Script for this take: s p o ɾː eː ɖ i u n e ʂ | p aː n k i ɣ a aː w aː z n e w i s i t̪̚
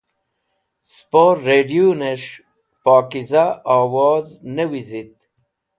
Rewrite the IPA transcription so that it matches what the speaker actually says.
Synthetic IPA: s p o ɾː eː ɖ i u n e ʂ | p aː k i z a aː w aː z n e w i z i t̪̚